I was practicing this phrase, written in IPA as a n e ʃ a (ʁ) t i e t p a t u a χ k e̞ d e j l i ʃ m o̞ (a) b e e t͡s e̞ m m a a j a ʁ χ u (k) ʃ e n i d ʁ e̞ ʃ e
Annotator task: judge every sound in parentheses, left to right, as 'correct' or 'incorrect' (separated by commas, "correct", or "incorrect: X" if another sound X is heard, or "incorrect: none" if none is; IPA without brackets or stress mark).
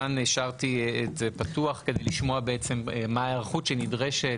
correct, correct, incorrect: t